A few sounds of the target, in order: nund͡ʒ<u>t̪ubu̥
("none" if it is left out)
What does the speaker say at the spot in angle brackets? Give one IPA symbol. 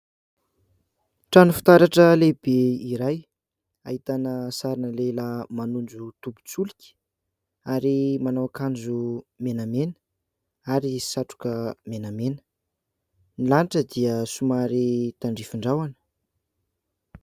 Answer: u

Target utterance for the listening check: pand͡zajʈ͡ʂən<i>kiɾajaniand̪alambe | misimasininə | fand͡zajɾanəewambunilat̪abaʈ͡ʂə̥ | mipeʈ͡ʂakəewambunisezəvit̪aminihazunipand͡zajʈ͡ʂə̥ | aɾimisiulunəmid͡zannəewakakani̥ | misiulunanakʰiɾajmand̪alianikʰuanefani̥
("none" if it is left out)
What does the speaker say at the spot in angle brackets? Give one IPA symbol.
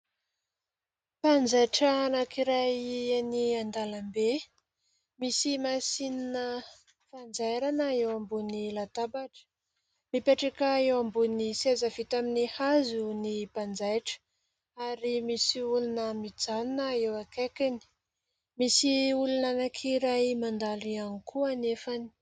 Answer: a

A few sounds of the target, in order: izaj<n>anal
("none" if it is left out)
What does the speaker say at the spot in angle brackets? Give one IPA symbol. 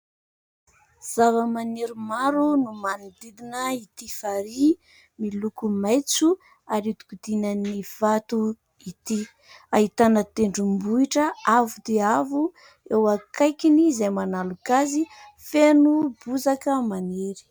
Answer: m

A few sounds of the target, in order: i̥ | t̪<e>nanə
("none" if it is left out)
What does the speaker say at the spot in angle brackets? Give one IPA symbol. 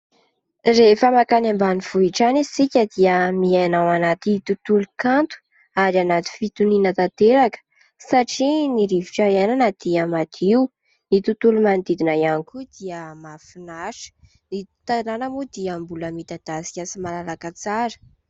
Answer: a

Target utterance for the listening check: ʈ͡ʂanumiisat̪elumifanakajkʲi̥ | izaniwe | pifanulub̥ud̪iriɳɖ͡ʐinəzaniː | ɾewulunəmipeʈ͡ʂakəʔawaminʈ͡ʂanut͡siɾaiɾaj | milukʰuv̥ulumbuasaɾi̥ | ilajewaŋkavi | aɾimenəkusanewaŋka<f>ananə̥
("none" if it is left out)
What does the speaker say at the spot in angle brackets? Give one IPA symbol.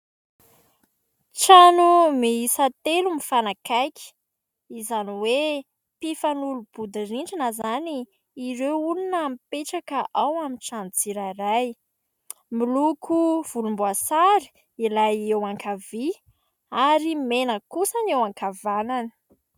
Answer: v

